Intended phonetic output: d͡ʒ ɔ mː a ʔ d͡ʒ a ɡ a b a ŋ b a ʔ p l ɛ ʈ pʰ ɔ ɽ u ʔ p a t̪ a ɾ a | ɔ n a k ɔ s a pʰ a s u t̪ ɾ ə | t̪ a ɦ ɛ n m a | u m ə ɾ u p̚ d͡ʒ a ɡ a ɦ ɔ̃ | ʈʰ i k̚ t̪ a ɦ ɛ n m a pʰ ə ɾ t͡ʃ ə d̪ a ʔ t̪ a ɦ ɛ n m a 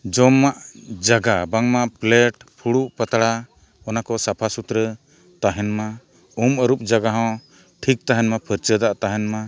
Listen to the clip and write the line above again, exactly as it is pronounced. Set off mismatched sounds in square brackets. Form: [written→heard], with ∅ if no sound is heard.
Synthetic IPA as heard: d͡ʒ ɔ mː a ʔ d͡ʒ a ɡ a b a ŋ [b→m] a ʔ p l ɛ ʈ pʰ [ɔ→u] ɽ u ʔ p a t̪ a [ɾ→ɽ] a | ɔ n a k ɔ s a pʰ a s u t̪ ɾ ə | t̪ a ɦ ɛ n m a | u m ə ɾ u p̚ d͡ʒ a ɡ a ɦ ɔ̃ | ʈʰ i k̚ t̪ a ɦ ɛ n m a pʰ ə ɾ t͡ʃ ə d̪ a ʔ t̪ a ɦ ɛ n m a